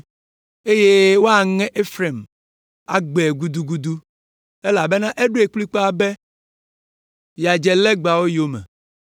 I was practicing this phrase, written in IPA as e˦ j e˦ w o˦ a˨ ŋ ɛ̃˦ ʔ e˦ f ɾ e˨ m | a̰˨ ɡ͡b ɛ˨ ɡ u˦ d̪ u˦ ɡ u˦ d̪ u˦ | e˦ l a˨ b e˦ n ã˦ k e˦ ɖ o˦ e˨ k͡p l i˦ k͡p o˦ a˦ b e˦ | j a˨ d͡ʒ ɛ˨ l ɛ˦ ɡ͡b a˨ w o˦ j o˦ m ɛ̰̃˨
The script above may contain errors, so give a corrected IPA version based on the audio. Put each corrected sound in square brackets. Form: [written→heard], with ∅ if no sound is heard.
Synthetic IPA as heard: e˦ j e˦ w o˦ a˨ ŋ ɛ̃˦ ʔ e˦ f ɾ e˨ m | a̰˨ ɡ͡b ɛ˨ ɡ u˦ d̪ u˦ ɡ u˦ d̪ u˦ | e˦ l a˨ b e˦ n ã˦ [k→ʔ] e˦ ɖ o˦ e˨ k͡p l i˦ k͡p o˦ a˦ b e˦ | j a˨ d͡ʒ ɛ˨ l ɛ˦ ɡ͡b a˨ w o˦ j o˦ m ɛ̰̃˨

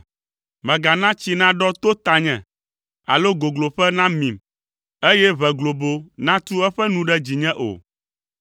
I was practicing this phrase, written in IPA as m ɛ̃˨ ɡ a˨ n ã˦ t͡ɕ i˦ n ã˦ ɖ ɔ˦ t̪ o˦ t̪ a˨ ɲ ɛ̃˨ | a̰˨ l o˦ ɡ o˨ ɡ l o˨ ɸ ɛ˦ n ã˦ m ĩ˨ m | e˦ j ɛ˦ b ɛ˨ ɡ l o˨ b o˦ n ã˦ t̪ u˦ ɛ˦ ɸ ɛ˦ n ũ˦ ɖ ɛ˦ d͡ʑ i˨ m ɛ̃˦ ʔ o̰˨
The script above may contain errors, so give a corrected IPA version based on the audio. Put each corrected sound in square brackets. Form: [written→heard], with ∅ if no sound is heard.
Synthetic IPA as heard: m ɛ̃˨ ɡ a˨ n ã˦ t͡ɕ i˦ n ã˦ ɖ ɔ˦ t̪ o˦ t̪ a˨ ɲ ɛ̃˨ | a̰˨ l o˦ ɡ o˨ ɡ l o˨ ɸ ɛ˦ n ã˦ m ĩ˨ m | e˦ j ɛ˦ [b→β] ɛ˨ ɡ l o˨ b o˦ n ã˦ t̪ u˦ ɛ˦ ɸ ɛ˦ n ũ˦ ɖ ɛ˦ d͡ʑ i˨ [m→ɲ] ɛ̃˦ ʔ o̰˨

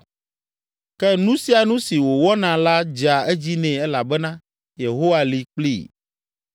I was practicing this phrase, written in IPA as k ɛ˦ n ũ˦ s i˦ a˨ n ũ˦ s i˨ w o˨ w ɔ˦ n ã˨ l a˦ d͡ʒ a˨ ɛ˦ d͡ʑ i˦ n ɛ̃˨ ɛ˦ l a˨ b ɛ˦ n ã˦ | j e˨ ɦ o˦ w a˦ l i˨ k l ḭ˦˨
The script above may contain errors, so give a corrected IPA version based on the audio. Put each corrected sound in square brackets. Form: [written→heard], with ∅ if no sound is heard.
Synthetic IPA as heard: k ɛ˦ n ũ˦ s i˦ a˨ n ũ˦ s i˨ w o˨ w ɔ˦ n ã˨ l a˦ d͡ʒ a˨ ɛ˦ d͡ʑ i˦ n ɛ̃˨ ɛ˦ l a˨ b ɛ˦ n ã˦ | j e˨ ɦ o˦ w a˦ l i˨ [k→k͡p] l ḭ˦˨

